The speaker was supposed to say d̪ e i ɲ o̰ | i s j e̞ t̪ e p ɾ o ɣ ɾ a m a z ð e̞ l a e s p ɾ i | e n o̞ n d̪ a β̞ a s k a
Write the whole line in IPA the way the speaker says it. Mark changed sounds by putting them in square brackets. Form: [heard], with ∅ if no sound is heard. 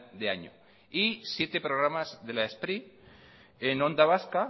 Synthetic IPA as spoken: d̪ e [a] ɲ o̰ | i s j e̞ t̪ e p ɾ o ɣ ɾ a m a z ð e̞ l a e s p ɾ i | e n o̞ n d̪ a β̞ a s k a